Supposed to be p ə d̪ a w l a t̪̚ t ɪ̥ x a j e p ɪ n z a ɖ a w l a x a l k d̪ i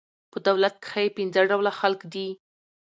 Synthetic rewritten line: p ə d̪ a w l a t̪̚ k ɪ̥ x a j e p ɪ n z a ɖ a w l a x a l k d̪ i